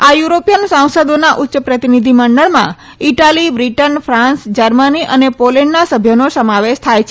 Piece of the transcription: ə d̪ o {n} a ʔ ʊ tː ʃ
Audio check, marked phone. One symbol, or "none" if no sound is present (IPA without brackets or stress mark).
n